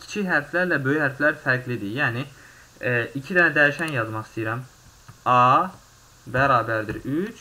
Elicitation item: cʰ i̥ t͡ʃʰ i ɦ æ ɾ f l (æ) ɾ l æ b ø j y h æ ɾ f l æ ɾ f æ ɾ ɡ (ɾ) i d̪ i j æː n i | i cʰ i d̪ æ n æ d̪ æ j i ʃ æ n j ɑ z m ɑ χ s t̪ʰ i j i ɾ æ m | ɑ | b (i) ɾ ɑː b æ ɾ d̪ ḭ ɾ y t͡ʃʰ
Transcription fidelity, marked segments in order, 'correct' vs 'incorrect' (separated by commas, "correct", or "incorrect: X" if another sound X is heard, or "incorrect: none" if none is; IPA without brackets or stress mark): correct, incorrect: l, incorrect: æ